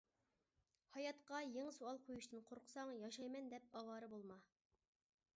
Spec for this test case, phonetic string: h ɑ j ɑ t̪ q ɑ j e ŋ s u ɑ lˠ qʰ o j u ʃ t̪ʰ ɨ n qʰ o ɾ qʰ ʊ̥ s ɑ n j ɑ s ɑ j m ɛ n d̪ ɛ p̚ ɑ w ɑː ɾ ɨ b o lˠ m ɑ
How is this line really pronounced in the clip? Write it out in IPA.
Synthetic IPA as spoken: h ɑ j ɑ t̪ q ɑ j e ŋ s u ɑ lˠ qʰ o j u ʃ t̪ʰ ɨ n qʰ o ɾ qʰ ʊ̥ s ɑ ŋ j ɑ ʃ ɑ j m ɛ n d̪ ɛ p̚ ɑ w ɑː ɾ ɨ b o lˠ m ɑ